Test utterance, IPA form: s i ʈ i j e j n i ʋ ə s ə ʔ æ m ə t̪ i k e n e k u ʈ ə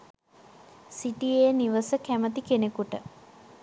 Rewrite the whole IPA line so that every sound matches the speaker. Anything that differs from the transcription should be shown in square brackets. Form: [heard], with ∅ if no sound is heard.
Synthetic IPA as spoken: s i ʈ i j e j n i ʋ ə s ə [k] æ m ə t̪ i k e n e k u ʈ ə